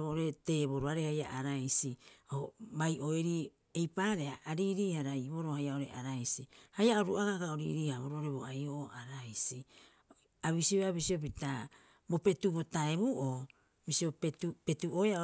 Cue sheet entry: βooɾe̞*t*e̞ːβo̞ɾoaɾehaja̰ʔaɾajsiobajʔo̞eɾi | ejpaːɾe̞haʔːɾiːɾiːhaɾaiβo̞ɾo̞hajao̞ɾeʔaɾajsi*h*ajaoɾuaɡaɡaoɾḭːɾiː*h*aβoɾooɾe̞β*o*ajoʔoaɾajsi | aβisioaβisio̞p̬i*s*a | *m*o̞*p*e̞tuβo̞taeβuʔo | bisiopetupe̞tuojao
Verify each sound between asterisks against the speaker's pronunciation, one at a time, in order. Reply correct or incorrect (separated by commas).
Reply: correct, correct, correct, correct, incorrect, incorrect, correct